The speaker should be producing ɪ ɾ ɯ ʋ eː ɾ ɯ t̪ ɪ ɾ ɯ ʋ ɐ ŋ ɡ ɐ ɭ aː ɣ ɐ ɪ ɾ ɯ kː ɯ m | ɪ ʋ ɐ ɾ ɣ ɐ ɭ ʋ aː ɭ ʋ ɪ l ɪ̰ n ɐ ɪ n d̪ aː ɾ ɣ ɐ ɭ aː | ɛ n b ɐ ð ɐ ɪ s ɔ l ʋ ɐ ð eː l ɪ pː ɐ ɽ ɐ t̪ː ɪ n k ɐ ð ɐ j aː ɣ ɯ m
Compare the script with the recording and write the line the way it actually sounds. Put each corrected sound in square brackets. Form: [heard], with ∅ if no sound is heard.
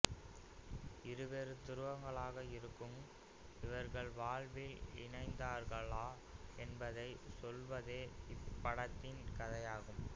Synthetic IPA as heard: ɪ ɾ ɯ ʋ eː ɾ ɯ t̪ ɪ ɾ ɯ ʋ ɐ ŋ ɡ ɐ ɭ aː ɣ ɐ ɪ ɾ ɯ kː ɯ m | ɪ ʋ ɐ ɾ ɣ ɐ ɭ ʋ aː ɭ ʋ ɪ l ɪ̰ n ɐ ɪ n d̪ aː ɾ ɣ ɐ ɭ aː | ɛ n b ɐ ð ɐ ɪ s ɔ l ʋ ɐ ð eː [∅] ɪ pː ɐ ɽ ɐ t̪ː ɪ n k ɐ ð ɐ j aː ɣ ɯ m